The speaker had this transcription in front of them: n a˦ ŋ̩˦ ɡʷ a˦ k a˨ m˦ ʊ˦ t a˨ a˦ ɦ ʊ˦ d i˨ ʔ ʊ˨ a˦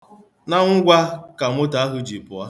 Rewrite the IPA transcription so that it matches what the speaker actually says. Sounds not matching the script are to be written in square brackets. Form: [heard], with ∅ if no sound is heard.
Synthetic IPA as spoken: n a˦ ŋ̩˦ ɡʷ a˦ k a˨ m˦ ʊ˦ t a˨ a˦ ɦ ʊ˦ [d͡ʒ] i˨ [p] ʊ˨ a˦

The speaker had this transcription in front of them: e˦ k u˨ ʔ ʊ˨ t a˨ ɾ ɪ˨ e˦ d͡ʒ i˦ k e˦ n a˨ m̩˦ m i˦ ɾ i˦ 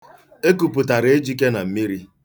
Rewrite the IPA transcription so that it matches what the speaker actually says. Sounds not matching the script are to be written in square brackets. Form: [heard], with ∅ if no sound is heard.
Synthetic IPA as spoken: e˦ k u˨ [p] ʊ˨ t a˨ ɾ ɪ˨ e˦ d͡ʒ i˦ k e˦ n a˨ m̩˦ m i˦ ɾ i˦

